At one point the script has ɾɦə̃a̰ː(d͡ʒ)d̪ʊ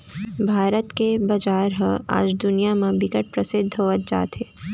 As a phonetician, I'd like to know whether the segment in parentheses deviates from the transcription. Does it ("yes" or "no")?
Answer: no